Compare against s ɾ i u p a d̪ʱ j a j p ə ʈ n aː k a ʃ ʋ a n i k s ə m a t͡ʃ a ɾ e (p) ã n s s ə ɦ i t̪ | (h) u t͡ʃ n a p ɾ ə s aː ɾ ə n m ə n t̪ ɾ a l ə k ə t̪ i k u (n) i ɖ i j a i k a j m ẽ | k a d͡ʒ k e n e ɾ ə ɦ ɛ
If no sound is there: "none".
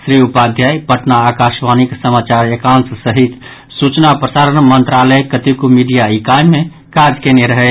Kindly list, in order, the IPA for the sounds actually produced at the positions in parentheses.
k, s, m

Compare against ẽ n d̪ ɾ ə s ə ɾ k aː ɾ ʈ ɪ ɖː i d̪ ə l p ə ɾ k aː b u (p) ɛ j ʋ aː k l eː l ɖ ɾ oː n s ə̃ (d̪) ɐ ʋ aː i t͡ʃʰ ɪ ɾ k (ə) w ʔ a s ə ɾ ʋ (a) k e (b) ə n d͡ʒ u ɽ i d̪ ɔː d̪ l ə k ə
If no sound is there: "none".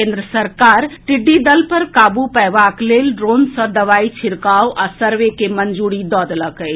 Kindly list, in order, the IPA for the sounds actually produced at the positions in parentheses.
p, d̪, a, e, m

